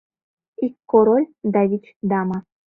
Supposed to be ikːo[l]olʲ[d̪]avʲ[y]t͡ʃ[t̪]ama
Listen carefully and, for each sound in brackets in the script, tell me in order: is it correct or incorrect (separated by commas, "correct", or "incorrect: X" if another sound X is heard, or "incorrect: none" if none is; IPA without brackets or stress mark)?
incorrect: ɾ, correct, incorrect: i, incorrect: d̪